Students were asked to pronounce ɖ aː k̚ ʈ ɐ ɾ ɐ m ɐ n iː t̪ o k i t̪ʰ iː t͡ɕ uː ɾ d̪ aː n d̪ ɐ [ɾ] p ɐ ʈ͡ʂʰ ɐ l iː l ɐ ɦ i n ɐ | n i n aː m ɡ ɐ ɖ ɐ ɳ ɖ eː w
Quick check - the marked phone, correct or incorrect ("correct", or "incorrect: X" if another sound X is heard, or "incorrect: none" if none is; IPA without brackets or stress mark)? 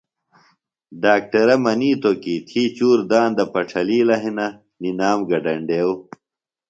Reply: incorrect: none